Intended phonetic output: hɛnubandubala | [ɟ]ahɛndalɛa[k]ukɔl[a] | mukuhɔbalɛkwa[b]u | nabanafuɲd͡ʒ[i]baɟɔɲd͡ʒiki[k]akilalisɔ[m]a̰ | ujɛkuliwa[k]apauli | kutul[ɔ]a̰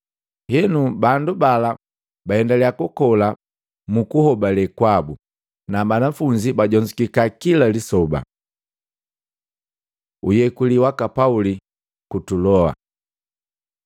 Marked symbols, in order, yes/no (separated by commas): no, yes, yes, yes, yes, yes, no, yes, yes